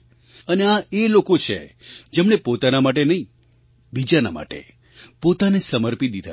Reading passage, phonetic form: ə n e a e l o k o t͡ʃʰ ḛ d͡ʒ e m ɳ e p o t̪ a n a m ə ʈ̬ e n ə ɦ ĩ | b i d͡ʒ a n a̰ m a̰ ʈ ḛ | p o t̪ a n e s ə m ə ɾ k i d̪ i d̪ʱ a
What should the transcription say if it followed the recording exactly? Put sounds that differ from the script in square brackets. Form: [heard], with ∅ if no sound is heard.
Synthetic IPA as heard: ə n e a e l o k o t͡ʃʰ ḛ d͡ʒ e m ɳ e p o t̪ a n a m [a] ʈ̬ e n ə ɦ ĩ | b i d͡ʒ a n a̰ m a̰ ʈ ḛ | p o t̪ a n e s ə m ə ɾ [p] i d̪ i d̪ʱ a